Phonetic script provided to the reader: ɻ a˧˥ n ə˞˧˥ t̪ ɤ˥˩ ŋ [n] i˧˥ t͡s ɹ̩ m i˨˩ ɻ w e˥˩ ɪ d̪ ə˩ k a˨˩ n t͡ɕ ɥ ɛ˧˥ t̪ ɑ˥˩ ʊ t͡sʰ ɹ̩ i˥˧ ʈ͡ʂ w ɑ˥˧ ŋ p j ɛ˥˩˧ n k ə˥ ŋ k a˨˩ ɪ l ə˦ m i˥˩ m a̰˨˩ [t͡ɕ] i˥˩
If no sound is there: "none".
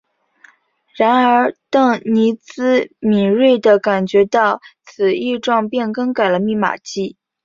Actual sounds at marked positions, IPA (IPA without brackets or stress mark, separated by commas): n, t͡ɕ